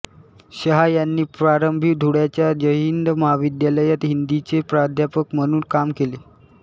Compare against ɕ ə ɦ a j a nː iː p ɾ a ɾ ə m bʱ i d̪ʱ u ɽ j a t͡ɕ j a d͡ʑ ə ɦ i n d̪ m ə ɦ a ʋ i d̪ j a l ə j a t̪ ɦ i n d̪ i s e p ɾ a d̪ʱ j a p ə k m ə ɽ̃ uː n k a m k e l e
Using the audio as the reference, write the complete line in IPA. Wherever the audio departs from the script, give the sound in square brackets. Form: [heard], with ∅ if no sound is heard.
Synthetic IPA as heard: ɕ ə ɦ a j a nː iː p ɾ a ɾ ə m bʱ i d̪ʱ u ɽ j a t͡ɕ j a d͡ʑ ə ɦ i n d̪ m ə ɦ a ʋ i d̪ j a l ə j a t̪ ɦ i n d̪ i [t͡s] e p ɾ a d̪ʱ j a p ə k m ə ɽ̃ uː n k a m k e l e

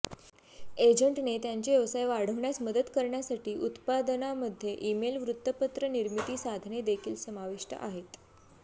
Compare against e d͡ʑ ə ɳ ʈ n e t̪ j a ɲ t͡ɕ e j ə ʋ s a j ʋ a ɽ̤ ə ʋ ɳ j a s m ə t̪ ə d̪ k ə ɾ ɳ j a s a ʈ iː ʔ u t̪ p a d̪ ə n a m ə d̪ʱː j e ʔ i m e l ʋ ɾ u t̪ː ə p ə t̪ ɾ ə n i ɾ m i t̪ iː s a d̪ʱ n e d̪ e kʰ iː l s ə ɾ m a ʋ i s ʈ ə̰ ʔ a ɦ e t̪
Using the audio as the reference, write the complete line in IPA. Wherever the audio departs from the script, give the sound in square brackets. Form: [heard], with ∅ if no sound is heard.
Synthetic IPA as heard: e d͡ʑ ə ɳ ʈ n e t̪ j a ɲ t͡ɕ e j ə ʋ s a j ʋ a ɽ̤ ə ʋ ɳ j a s m ə [d̪] ə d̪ k ə ɾ ɳ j a s a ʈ iː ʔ u t̪ p a d̪ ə n a m ə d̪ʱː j e ʔ i m e l ʋ ɾ u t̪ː ə p ə t̪ ɾ ə n i ɾ m i t̪ iː s a d̪ʱ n e d̪ e kʰ iː l s ə [∅] m a ʋ i [ʂ] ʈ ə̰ ʔ a ɦ e t̪

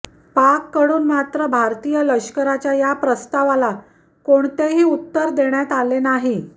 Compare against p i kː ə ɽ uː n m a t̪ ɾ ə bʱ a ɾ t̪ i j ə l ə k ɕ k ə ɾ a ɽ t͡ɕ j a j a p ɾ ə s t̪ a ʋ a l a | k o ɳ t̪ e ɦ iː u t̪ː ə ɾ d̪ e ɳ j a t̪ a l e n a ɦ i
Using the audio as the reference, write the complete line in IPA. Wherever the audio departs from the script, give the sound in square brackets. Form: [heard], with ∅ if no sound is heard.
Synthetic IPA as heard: p [a] kː ə ɽ uː n m a t̪ ɾ ə bʱ a ɾ t̪ i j ə l ə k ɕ k ə ɾ a [∅] t͡ɕ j a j a p ɾ ə s t̪ a ʋ a l a | k o ɳ t̪ e ɦ iː u t̪ː ə ɾ d̪ e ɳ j a t̪ a l e n a ɦ i

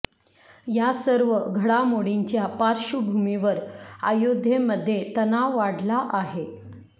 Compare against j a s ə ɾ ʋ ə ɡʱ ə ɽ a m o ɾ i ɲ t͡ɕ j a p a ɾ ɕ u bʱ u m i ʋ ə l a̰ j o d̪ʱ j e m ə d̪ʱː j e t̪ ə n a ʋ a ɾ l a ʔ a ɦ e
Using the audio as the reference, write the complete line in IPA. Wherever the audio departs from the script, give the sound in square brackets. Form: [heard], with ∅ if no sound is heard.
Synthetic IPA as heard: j a s ə ɾ ʋ ə ɡʱ ə ɽ a m o [ɽ] i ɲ t͡ɕ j a p a ɾ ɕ u bʱ u m i ʋ ə [ɾ] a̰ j o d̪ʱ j e m ə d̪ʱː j e t̪ ə n a ʋ a [ɽ] l a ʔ a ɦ e

